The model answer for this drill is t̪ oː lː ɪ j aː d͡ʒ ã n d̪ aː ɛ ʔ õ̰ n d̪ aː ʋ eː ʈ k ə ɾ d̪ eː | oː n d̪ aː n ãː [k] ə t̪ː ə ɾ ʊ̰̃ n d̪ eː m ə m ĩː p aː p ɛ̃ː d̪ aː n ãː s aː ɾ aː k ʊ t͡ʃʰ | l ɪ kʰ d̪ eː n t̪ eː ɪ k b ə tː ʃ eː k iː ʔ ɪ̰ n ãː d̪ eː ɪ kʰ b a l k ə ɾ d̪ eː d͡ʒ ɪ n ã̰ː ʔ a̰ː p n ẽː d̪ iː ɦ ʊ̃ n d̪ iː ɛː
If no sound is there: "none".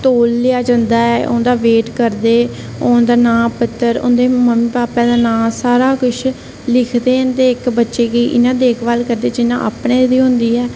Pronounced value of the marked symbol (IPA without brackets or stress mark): p